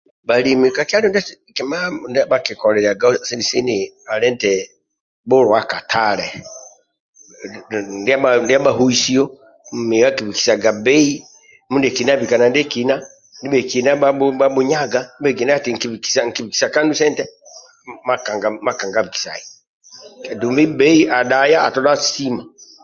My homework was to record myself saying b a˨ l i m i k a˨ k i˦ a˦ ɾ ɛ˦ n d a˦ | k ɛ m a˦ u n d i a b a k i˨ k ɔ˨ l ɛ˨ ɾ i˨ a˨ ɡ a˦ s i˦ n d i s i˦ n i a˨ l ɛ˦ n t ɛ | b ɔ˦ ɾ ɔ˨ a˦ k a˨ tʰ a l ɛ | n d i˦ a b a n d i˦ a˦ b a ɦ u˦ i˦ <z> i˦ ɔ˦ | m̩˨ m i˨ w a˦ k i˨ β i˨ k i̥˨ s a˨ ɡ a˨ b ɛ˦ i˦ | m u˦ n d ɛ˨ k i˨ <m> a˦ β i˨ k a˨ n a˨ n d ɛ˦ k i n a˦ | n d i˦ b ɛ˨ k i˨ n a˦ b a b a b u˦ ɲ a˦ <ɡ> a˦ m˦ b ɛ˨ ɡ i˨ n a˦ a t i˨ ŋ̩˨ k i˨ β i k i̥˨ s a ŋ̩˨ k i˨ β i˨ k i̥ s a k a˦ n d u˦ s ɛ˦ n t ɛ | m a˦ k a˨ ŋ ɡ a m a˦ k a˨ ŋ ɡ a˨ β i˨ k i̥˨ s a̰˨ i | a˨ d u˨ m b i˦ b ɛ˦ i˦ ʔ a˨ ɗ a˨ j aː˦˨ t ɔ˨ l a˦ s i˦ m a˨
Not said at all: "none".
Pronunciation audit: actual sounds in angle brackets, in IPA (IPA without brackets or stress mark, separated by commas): s, n, ɡ